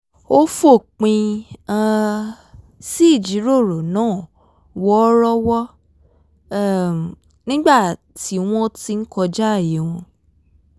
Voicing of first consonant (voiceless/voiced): voiceless